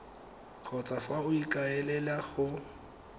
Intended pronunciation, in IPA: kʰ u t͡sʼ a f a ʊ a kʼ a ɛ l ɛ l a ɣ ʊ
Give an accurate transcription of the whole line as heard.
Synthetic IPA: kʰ ɔ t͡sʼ a f a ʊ i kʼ a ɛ l ɛ l a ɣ ʊ